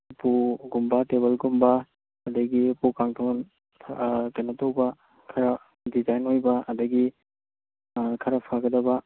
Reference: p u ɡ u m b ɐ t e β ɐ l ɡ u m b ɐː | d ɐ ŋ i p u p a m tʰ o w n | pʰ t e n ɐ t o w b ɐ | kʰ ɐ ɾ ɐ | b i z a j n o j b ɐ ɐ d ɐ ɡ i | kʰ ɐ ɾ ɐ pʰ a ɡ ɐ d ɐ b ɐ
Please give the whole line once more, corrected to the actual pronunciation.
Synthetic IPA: p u ɡ u m b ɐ t e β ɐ l ɡ u m b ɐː | d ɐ ɡ i p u k a ŋ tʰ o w n | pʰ t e n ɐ t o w b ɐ | kʰ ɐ ɾ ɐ | d i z a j n o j b ɐ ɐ d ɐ ɡ i | kʰ ɐ ɾ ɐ pʰ a ɡ ɐ d ɐ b ɐ